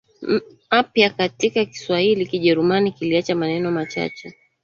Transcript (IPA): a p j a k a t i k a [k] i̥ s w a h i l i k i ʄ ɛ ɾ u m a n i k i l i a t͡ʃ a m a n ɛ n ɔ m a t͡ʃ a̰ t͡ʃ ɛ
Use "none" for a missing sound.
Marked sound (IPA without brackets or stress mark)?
k